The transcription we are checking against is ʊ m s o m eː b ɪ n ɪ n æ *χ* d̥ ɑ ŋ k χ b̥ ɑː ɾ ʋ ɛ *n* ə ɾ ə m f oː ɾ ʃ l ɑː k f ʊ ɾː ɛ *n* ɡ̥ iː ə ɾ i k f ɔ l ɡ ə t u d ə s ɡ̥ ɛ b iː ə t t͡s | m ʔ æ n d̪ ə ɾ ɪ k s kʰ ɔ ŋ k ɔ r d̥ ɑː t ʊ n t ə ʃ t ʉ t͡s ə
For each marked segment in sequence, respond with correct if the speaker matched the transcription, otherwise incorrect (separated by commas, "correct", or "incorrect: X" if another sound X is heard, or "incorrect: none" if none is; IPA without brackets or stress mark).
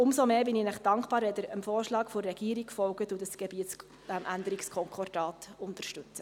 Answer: correct, incorrect: d, incorrect: none